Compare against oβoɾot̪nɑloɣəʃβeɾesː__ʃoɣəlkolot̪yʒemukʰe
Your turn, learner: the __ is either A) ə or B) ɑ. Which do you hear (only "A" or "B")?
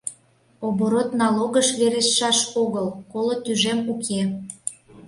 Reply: B